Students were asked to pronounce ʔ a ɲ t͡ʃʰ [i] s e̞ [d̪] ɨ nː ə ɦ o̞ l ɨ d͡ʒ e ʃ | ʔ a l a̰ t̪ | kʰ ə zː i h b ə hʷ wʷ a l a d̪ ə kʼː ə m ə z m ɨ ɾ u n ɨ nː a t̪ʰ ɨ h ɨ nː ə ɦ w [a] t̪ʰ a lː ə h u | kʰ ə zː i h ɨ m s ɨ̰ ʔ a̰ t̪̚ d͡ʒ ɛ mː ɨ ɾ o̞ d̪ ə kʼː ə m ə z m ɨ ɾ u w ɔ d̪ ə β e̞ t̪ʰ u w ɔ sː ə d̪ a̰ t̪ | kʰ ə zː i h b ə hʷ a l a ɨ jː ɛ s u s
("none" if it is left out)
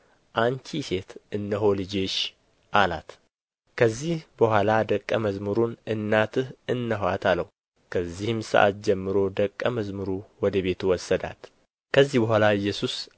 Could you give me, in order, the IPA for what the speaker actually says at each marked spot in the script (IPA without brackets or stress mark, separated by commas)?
i, t̪, a